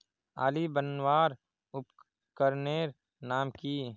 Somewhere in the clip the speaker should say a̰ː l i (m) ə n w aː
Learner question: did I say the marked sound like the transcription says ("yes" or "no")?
no